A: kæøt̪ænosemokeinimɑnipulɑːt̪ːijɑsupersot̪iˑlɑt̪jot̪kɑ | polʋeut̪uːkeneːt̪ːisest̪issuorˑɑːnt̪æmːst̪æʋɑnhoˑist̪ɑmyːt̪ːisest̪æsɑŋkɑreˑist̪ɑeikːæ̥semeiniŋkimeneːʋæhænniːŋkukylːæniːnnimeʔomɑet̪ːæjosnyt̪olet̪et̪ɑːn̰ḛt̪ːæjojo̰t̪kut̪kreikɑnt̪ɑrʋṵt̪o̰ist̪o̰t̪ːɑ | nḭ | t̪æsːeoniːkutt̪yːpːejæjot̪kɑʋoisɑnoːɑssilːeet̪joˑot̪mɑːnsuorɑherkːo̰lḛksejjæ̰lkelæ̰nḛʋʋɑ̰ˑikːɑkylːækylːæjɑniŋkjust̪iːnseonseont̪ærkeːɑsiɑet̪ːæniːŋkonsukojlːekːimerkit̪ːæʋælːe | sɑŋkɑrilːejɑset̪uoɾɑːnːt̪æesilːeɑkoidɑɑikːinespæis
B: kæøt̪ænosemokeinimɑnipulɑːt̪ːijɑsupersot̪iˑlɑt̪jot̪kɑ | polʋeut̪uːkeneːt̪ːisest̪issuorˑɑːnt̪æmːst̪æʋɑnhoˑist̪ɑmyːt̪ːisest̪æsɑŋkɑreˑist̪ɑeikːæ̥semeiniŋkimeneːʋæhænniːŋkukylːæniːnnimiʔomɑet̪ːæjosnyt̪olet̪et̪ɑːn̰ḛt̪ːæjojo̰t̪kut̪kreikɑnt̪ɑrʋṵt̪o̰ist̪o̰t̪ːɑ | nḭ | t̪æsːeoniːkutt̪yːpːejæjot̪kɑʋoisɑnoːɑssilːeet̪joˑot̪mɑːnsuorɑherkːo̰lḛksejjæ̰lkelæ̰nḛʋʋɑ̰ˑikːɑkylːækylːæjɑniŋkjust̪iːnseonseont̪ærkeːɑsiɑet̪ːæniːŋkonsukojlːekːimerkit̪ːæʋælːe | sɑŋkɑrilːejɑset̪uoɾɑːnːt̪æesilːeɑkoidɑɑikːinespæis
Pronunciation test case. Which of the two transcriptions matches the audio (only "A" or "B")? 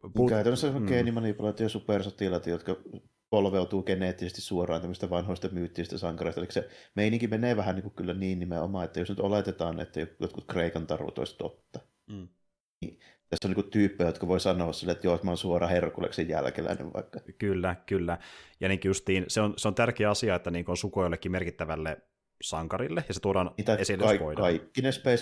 A